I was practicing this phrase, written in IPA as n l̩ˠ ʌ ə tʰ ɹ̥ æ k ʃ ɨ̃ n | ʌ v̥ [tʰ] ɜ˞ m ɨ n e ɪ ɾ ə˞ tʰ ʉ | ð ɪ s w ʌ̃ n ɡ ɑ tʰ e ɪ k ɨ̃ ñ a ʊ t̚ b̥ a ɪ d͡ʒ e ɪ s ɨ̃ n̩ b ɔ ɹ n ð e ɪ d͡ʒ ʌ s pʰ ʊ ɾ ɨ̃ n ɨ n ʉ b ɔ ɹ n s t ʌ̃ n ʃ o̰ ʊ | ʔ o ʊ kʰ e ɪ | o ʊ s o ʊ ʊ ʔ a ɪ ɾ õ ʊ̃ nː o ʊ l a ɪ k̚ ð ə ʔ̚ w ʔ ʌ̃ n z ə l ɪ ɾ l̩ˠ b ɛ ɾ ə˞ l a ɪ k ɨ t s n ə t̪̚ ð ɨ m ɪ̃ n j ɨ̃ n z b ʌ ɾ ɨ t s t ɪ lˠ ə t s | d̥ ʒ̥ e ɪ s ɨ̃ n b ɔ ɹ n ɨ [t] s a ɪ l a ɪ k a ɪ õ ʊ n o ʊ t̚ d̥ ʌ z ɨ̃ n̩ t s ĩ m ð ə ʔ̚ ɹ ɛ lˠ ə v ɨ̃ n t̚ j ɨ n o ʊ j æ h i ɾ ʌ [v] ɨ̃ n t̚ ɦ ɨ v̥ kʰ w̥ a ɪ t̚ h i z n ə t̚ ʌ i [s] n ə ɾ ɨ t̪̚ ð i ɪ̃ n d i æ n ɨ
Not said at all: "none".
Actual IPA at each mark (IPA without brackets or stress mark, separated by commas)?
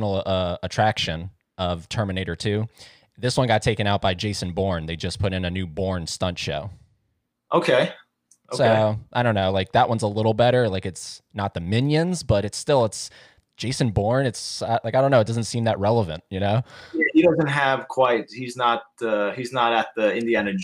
tʰ, t, z, z